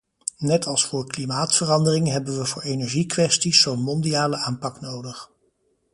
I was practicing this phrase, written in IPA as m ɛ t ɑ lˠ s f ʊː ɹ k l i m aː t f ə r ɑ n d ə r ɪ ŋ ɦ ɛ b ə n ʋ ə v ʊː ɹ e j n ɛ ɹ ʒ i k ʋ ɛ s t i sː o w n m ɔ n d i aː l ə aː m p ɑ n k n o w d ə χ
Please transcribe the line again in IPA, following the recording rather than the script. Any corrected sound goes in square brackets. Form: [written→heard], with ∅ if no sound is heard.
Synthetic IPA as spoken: [m→n] ɛ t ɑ lˠ s f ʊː ɹ k l i m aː t f ə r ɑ n d ə r ɪ ŋ ɦ ɛ b ə n ʋ ə v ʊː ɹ e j n ɛ ɹ ʒ i k ʋ ɛ s t i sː o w n m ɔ n d i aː l ə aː m p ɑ [n→∅] k n o w d ə χ